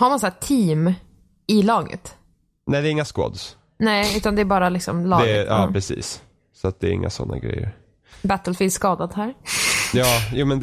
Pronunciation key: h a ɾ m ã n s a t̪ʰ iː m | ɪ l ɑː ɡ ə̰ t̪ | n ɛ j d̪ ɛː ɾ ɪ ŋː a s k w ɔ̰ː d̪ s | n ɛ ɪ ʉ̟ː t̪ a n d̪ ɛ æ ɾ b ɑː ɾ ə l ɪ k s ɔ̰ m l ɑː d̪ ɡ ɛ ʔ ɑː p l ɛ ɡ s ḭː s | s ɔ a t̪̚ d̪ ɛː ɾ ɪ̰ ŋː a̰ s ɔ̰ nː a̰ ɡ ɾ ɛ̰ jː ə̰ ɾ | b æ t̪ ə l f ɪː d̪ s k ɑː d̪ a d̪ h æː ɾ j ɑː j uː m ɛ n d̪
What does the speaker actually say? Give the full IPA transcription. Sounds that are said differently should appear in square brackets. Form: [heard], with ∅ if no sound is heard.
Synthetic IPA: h a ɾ m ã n s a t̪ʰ iː m | ɪ l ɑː ɡ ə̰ t̪ | n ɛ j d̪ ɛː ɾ ɪ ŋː a s k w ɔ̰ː d̪ s | n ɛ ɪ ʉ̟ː t̪ a n d̪ ɛ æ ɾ b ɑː ɾ [a] l ɪ k s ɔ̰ m l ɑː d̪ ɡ ɛ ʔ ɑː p [ɾ] ɛ [∅] s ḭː s | s ɔ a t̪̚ d̪ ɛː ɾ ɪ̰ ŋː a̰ s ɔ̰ nː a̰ ɡ ɾ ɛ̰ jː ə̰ ɾ | b æ t̪ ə l f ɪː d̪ s k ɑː d̪ a d̪ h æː ɾ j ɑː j uː m ɛ n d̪